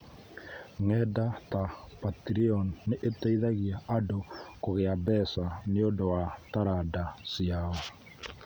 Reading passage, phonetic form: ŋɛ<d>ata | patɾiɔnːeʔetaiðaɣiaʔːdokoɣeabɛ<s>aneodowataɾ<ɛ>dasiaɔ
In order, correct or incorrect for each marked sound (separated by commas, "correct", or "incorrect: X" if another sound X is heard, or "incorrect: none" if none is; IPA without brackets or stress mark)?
correct, correct, incorrect: a